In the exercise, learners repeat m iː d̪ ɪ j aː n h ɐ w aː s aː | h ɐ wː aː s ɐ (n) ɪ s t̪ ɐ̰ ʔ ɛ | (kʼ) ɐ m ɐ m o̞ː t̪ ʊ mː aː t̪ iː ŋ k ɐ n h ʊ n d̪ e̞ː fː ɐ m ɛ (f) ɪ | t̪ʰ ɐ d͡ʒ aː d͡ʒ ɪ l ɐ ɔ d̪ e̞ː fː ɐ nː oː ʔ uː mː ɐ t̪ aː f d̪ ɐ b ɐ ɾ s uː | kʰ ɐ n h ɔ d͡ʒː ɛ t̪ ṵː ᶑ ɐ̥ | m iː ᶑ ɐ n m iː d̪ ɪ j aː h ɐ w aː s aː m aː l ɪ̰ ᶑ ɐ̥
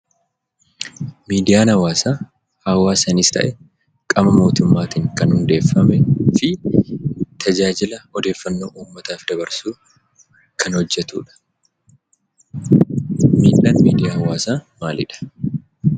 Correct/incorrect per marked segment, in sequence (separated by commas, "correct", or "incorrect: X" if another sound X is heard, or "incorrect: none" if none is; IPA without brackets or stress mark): correct, correct, correct